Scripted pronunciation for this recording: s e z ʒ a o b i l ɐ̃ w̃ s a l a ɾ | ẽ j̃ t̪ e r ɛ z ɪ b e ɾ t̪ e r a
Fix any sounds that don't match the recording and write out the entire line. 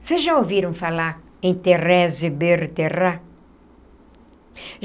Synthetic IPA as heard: s e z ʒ a o v i ɾ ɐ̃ w̃ f a l a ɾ | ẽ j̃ t̪ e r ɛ z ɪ b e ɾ t̪ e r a